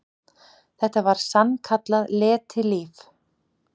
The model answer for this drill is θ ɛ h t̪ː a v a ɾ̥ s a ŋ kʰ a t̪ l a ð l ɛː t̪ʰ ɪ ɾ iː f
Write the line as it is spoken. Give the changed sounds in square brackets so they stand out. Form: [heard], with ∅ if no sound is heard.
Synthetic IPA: θ ɛ h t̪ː a v a ɾ̥ s a [n] kʰ a t̪ l a ð l ɛː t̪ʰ ɪ [l] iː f

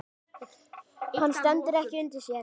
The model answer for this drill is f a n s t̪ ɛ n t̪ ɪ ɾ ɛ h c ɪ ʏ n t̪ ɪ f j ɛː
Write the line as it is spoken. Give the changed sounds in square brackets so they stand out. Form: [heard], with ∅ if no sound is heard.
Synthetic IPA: [h] a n s t̪ ɛ n t̪ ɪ ɾ ɛ h c ɪ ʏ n t̪ ɪ [s] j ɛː

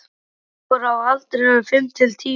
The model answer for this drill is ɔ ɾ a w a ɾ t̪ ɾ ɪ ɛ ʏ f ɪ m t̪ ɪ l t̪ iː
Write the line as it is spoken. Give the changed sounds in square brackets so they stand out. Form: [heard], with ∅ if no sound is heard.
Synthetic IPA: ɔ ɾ a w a [l] t̪ ɾ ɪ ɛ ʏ f ɪ m [t̪ʰ] ɪ l [t̪ʰ] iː

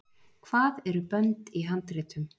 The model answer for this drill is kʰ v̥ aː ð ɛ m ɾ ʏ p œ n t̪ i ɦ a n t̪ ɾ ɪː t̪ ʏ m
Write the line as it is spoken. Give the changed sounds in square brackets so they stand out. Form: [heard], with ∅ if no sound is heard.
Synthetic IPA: kʰ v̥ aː ð ɛ [∅] ɾ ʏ p œ n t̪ i ɦ a n t̪ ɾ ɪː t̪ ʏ m

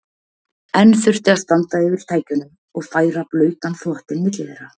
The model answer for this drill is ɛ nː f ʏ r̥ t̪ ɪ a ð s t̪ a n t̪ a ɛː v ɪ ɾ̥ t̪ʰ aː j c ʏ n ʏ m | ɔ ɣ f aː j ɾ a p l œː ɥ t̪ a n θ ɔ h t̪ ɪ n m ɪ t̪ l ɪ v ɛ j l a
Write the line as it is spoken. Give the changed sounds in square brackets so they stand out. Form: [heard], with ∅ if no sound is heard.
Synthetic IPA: ɛ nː f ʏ r̥ t̪ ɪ a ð s t̪ a n t̪ a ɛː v ɪ ɾ̥ t̪ʰ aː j c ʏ n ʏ m | ɔ ɣ f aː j ɾ a p l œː ɥ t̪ a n θ ɔ h t̪ ɪ n m ɪ t̪ l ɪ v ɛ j [ɾ] a

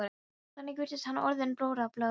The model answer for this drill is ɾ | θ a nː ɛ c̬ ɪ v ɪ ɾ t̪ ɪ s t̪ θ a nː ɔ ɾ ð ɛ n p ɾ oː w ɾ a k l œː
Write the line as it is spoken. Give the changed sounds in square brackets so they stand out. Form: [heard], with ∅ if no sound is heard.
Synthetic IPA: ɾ | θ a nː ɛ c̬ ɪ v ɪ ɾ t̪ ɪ s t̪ [h] a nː ɔ ɾ ð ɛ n p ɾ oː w ɾ a [p] l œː

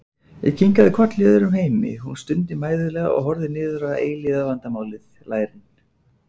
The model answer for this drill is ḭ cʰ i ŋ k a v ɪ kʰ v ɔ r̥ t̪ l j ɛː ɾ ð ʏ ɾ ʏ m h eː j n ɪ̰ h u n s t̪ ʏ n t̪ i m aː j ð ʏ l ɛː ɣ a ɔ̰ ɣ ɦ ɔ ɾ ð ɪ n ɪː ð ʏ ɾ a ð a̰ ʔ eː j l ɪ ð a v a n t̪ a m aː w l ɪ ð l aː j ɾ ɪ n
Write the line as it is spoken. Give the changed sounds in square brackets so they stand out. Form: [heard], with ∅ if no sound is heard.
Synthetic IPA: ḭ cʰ i ŋ k a [ð] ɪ kʰ v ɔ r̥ t̪ l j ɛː [∅] ð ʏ ɾ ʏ m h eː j [m] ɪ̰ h u n s t̪ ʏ n t̪ [ɪ] m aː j ð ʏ l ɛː ɣ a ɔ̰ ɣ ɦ ɔ ɾ ð ɪ n ɪː ð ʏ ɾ a ð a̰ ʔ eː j l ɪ ð a v a n t̪ a m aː w l ɪ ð l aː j ɾ ɪ n

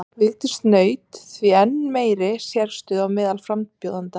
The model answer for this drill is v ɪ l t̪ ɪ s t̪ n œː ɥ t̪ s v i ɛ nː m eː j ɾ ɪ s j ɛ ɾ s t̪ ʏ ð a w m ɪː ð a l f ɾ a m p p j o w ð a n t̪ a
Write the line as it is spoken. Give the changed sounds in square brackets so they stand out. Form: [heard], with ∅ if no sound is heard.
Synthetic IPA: v ɪ l t̪ ɪ s t̪ n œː ɥ t̪ [θ] v i ɛ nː m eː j ɾ ɪ s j ɛ ɾ s t̪ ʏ ð a w m ɪː ð a l f ɾ a m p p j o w ð a n t̪ a

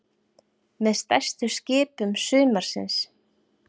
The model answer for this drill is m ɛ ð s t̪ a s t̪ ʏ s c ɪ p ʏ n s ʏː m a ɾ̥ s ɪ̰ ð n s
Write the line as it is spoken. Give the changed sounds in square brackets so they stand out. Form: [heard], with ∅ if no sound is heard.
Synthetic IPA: m ɛ ð s t̪ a s t̪ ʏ s c [ɪː] p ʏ [m] s ʏː m a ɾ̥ s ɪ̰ [∅] n s

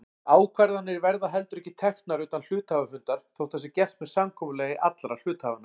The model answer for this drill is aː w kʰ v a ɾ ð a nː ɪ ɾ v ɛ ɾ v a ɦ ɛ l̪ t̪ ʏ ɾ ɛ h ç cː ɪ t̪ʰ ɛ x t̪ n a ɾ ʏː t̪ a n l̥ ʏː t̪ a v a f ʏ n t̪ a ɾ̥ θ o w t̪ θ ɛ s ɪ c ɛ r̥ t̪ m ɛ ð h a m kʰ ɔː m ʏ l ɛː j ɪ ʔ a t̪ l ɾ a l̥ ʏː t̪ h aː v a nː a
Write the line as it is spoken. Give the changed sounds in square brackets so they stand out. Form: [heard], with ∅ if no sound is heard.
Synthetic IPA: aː w kʰ v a ɾ ð a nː ɪ ɾ v ɛ ɾ [ð] a ɦ ɛ l̪ t̪ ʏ ɾ ɛ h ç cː ɪ t̪ʰ ɛ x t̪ n a ɾ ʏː t̪ a n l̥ ʏː t̪ a v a f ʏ n t̪ a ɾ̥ θ o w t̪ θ ɛ s ɪ c ɛ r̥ t̪ m ɛ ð [s] a m kʰ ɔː m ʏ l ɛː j ɪ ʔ a t̪ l ɾ a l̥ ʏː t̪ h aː v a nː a

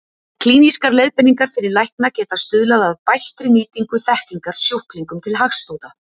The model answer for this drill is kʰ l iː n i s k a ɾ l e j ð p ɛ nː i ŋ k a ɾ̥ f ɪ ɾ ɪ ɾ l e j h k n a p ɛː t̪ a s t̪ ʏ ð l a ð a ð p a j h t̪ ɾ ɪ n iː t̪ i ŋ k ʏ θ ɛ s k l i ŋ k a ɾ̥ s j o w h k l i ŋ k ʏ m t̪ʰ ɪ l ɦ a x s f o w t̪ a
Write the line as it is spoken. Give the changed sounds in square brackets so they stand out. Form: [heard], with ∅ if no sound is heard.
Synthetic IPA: kʰ l iː n i s k a ɾ l e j ð p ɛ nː i ŋ k a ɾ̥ f ɪ ɾ ɪ ɾ l [a] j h k n a [c] ɛː t̪ a s t̪ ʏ ð l a ð a ð p a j h t̪ ɾ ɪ n iː t̪ i ŋ k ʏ θ ɛ [h] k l i ŋ k a ɾ̥ s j o w h k l i ŋ k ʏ m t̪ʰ ɪ l ɦ a x s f o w t̪ a

